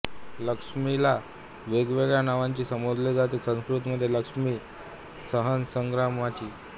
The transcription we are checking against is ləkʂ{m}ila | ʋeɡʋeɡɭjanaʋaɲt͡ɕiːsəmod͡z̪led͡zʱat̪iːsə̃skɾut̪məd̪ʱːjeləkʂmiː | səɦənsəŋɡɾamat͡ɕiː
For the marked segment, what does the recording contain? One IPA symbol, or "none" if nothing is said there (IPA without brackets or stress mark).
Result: m